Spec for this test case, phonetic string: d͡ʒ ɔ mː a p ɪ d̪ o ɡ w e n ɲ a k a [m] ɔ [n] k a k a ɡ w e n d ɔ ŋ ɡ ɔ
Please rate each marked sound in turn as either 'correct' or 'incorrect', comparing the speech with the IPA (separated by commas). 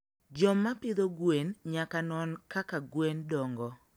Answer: incorrect, correct